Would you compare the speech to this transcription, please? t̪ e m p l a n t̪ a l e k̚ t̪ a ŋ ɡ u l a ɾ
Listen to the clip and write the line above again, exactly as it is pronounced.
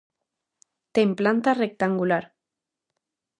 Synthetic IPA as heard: t̪ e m p l a n t̪ a r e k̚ t̪ a ŋ ɡ u l a ɾ